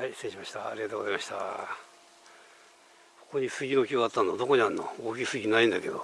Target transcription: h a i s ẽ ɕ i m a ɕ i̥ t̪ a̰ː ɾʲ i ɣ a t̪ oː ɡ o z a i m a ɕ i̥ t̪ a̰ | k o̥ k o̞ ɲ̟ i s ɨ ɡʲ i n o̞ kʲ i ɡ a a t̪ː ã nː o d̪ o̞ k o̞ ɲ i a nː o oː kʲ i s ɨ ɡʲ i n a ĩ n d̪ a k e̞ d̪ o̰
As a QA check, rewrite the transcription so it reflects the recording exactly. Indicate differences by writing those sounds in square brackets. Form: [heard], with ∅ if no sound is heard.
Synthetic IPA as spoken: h a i s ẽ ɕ i m a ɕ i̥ t̪ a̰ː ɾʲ i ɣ a t̪ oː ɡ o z a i m a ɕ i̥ t̪ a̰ | k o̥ k o̞ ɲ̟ i s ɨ ɡʲ i n o̞ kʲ i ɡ a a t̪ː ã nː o d̪ o̞ k o̞ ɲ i a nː o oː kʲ i s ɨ ɡʲ i n a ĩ n d̪ a k e̞ d̪ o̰